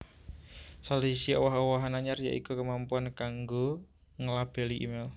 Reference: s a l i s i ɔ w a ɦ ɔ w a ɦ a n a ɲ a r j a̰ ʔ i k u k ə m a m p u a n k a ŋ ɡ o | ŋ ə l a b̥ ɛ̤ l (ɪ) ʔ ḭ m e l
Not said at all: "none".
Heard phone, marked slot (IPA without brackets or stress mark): i